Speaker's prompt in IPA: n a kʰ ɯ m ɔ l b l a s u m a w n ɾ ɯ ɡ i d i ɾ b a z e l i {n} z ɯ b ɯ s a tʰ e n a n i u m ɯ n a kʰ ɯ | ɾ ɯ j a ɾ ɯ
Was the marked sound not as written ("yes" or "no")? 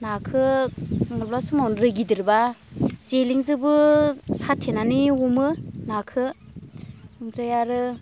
yes